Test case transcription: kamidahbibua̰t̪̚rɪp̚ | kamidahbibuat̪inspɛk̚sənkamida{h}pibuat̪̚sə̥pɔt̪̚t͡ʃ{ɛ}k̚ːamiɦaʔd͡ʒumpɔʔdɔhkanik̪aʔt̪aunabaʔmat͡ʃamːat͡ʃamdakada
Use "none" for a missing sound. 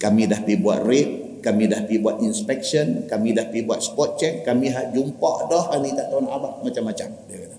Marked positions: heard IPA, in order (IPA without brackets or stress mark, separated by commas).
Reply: h, ɛ